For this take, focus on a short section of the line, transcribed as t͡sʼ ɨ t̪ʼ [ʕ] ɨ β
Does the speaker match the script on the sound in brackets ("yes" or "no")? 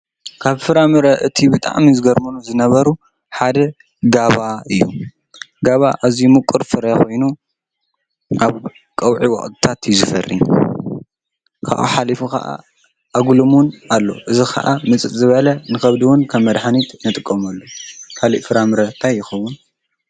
no